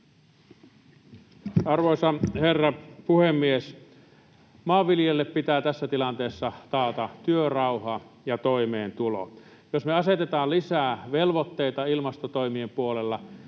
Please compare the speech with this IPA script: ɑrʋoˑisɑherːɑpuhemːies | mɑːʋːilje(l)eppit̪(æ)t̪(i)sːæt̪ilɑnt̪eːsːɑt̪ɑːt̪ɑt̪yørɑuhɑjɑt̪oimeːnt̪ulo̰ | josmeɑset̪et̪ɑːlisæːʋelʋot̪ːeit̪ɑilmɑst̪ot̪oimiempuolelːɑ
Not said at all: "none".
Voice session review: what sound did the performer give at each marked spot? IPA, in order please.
lː, æː, æ

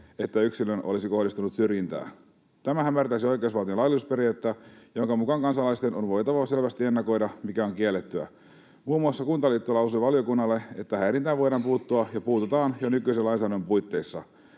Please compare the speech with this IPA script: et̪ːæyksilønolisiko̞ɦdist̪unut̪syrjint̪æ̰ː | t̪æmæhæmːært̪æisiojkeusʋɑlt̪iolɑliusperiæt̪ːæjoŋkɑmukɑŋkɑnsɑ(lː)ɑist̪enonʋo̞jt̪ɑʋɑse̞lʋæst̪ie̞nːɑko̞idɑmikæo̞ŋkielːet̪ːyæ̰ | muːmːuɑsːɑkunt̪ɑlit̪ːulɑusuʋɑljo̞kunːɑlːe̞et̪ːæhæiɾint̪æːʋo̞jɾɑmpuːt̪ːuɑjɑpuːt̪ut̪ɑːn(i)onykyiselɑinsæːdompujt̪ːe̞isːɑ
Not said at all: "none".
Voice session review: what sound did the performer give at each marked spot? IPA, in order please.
l, j

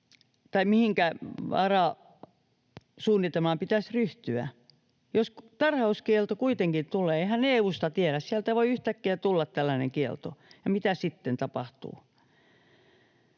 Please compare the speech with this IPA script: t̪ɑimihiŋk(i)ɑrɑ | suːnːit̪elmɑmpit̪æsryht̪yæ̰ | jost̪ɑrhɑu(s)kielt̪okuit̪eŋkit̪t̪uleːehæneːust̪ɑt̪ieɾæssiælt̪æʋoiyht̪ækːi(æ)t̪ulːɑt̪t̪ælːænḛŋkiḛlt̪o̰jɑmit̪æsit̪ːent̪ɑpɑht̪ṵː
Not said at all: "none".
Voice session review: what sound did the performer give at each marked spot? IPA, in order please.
æ, s, æ

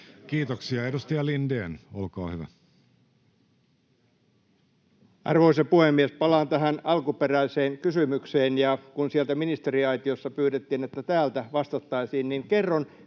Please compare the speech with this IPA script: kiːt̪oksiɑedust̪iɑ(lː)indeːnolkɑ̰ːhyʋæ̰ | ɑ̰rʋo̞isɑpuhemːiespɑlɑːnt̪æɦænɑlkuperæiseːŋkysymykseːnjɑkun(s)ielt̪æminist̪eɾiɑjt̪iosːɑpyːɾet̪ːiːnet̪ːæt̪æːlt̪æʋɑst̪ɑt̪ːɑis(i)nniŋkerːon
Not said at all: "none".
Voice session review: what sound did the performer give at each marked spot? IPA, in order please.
l, s, iː

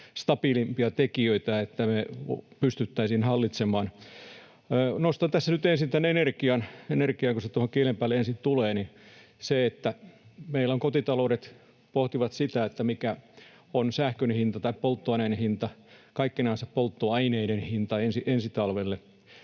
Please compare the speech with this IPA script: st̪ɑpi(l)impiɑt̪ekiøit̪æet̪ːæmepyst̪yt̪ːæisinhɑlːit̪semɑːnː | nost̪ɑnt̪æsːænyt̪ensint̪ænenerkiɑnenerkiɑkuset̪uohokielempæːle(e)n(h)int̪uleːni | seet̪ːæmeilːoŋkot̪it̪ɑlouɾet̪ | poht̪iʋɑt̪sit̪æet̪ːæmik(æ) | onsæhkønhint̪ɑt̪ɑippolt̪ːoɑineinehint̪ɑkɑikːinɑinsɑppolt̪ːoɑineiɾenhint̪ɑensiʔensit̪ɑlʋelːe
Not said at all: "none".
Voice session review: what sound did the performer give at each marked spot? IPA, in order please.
l, e, s, æ

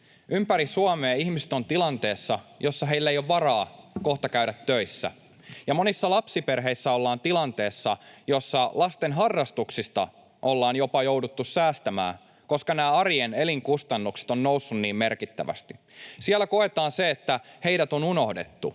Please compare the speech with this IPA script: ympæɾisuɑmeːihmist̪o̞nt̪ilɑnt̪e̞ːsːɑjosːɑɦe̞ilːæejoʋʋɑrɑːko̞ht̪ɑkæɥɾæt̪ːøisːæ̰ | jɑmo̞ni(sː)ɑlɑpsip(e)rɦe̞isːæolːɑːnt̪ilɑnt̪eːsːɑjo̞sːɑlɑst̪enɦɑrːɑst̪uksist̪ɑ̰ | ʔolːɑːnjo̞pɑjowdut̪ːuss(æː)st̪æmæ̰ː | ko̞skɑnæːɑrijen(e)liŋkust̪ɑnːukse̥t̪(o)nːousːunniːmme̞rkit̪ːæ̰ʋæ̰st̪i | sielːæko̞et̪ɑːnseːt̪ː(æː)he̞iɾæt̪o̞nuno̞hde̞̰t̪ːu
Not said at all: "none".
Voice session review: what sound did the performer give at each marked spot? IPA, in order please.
sː, e, æː, e, o, æ

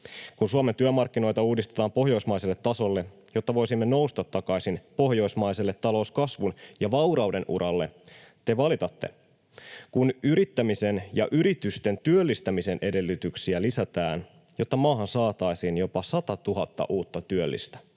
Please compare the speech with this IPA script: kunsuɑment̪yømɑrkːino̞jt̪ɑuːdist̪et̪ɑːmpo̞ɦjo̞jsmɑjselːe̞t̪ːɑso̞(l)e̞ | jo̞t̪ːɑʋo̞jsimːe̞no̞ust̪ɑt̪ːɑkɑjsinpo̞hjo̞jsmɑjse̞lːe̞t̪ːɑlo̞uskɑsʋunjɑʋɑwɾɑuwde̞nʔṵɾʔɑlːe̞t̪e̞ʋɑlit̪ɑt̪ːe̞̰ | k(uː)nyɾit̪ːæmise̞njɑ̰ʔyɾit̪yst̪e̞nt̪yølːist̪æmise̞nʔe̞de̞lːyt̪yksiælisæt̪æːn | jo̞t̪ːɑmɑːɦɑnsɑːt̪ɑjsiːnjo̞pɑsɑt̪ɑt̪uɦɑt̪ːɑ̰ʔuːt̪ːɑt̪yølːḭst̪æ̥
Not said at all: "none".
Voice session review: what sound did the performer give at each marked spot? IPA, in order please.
lː, u

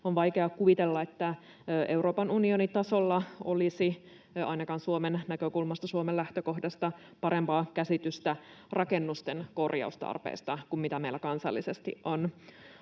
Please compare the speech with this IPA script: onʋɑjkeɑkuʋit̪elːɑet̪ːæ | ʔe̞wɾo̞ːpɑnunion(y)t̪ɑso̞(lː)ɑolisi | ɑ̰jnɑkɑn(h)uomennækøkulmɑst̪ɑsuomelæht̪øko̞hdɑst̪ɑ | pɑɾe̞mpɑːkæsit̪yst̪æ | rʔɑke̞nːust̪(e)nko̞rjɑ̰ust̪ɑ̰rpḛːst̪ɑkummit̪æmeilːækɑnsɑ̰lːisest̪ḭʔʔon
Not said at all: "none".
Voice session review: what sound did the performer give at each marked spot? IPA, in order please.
i, lː, s, e

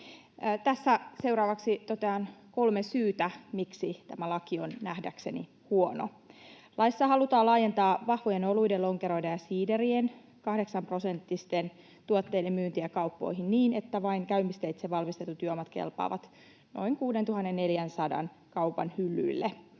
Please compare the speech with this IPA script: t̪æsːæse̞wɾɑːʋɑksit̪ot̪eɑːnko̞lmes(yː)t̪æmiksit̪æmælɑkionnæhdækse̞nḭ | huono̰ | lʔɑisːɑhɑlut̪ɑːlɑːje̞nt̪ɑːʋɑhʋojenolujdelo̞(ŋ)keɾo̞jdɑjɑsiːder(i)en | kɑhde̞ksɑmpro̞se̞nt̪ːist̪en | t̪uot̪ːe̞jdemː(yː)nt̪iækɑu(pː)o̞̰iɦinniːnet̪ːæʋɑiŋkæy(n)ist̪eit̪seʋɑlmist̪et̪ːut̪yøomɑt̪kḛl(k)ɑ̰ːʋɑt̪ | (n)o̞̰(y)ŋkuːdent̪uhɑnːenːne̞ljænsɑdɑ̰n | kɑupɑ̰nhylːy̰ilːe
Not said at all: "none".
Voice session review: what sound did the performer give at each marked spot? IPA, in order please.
yː, ŋ, i, yː, pː, m, p, n, i

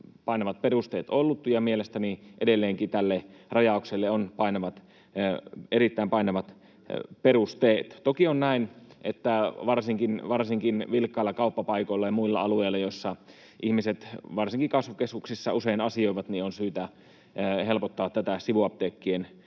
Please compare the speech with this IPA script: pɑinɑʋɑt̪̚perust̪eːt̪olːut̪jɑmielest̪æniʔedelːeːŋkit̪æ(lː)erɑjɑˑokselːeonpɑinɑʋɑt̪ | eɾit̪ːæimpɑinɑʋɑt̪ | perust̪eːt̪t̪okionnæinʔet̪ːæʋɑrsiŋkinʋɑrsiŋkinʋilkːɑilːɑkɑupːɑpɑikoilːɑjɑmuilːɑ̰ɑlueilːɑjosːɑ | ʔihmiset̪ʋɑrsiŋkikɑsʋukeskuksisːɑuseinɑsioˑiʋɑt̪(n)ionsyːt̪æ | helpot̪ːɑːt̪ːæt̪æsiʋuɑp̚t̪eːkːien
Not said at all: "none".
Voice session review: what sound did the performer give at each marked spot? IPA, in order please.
lː, n

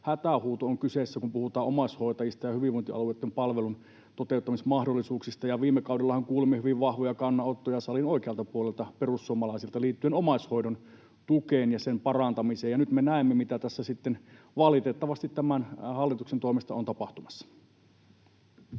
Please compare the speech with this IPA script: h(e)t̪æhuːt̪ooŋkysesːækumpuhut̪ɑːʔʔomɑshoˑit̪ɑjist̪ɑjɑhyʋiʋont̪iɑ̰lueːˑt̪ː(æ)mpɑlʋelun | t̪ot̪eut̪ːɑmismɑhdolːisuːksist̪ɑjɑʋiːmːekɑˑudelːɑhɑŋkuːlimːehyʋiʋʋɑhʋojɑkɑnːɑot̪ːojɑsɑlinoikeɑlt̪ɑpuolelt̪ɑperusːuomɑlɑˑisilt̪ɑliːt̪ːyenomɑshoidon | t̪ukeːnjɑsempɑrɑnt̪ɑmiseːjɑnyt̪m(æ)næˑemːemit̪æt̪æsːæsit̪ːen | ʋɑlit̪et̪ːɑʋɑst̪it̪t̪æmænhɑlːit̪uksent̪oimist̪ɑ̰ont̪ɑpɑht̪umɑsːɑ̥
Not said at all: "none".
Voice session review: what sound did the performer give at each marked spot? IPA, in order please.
æ, e, e

